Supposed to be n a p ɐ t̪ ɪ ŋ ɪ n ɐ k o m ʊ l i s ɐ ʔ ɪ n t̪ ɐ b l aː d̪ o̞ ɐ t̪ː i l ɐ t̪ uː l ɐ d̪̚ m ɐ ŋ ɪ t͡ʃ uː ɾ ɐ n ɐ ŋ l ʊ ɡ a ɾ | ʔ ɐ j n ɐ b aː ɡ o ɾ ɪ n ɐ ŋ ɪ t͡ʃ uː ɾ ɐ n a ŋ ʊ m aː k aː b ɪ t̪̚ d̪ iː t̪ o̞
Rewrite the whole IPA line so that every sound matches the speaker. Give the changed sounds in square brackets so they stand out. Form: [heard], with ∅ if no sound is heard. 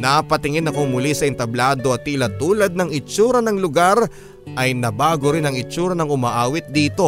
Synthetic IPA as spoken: n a p ɐ t̪ ɪ ŋ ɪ n ɐ k o m ʊ l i s ɐ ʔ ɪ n t̪ ɐ b l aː d̪ o̞ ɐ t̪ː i l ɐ t̪ uː l ɐ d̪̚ [n] ɐ ŋ ɪ t͡ʃ uː ɾ ɐ n ɐ ŋ l ʊ ɡ a ɾ | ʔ ɐ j n ɐ b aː ɡ o ɾ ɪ n ɐ ŋ ɪ t͡ʃ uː ɾ ɐ n [ɐ] ŋ ʊ m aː [ʔ] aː [w] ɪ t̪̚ d̪ iː t̪ o̞